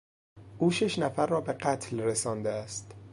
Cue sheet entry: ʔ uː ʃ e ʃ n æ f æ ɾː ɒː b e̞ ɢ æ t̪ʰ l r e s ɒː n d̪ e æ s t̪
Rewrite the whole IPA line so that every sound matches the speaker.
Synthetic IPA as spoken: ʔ uː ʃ e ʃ n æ f æ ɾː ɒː b e̞ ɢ æ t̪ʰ l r e s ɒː n d̪ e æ s t̪